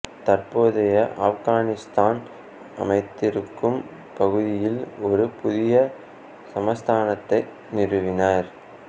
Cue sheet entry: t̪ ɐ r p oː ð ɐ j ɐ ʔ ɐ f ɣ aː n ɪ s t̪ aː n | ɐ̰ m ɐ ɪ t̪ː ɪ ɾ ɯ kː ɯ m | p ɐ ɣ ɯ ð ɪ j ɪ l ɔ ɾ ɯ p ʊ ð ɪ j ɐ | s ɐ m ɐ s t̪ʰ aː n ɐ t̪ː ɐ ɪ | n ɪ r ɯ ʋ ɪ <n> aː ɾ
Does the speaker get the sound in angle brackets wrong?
no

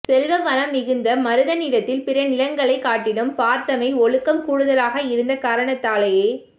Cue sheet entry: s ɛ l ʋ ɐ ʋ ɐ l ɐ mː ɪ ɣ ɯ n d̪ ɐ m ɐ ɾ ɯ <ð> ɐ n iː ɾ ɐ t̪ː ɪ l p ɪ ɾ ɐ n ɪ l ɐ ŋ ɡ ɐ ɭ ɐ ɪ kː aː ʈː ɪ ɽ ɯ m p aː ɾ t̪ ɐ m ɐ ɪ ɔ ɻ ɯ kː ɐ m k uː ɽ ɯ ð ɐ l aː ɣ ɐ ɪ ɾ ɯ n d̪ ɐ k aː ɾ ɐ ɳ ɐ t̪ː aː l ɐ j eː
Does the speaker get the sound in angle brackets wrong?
no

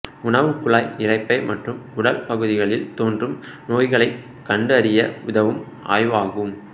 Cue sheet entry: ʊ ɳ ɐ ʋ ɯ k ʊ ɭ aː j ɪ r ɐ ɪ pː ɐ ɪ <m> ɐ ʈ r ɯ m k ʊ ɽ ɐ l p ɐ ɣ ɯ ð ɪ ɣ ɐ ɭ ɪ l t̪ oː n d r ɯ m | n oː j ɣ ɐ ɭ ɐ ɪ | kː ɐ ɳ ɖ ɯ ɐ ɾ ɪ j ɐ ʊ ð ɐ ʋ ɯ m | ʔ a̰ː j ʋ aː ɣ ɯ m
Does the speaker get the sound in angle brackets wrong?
no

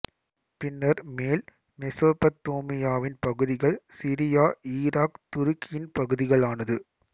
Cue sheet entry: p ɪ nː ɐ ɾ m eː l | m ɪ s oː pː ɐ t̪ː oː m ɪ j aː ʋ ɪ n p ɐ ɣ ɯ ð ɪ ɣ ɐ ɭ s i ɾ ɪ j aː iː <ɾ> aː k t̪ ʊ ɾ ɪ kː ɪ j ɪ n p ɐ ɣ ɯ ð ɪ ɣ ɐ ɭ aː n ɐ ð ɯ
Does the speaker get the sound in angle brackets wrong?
no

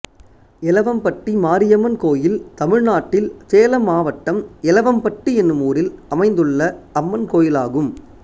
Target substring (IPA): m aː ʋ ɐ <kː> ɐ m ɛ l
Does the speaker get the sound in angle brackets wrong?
yes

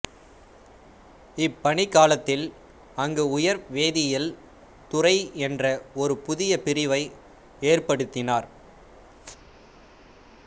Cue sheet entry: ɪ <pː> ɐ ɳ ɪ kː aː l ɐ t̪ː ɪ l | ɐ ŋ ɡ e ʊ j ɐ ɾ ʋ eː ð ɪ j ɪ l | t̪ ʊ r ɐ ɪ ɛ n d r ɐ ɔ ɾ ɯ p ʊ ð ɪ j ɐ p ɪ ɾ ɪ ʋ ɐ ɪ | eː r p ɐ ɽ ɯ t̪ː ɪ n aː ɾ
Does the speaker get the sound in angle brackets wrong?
no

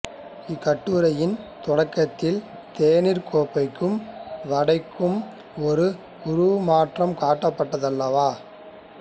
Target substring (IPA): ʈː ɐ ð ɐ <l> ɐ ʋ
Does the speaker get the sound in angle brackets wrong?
yes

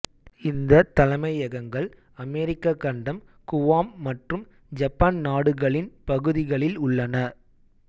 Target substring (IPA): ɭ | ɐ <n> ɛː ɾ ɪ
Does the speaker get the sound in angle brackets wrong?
yes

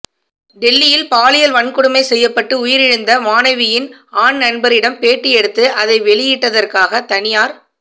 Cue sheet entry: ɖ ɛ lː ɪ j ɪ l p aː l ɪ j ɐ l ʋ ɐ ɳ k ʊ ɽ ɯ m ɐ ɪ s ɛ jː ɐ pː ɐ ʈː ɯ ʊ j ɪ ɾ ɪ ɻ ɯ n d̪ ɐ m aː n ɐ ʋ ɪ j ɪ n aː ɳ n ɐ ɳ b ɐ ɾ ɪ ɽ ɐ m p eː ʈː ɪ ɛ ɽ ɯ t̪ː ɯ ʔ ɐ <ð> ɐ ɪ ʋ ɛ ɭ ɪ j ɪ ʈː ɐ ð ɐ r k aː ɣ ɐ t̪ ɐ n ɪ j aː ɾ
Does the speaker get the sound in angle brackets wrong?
no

